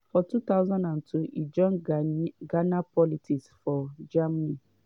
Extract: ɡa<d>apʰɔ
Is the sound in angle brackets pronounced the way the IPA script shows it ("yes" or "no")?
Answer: no